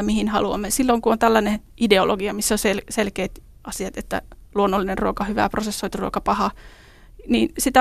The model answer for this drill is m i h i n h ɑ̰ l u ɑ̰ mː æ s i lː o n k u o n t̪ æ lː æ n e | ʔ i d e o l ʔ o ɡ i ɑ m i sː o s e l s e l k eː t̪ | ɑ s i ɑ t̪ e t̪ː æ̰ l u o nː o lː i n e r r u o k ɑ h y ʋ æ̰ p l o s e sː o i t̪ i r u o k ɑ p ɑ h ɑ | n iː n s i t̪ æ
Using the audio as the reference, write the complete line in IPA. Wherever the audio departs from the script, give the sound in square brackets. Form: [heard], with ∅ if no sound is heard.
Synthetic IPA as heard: m i h i n h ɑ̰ l u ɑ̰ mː [e] s i lː o [ŋ] k u o n t̪ æ lː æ n e | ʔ i d e o l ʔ o ɡ i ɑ m i sː o s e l s e l k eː t̪ | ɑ s i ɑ t̪ e t̪ː æ̰ l u o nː o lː i n e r r u o k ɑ h y ʋ æ̰ p [r] o s e sː o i t̪ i r u o k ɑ p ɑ h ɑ | n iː n s i t̪ æ